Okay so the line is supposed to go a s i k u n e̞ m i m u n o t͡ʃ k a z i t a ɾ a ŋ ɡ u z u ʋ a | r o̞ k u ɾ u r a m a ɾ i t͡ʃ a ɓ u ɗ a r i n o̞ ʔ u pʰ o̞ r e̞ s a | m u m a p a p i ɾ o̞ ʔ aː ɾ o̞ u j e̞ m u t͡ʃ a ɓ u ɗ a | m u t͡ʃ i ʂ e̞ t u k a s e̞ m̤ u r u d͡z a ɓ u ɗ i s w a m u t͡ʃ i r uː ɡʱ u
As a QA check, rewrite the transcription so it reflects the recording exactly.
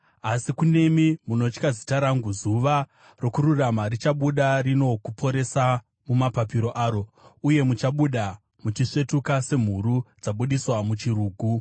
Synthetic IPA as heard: a s i k u n e̞ m i m u n o t͡ʃ k a z i t a ɾ a ŋ ɡ u z u ʋ a | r o̞ k u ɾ u r a m a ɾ i t͡ʃ a ɓ u ɗ a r i n o̞ k u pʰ o̞ ɾ e̞ s a | m u m a p a p i ɾ o̞ ʔ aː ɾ o̞ u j e̞ m u t͡ʃ a ɓ u ɗ a | m u t͡ʃ i ʂ e̞ t u k a s e̞ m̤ u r u d͡z a ɓ u ɗ i s w a m u t͡ʃ i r uː ɡʱ u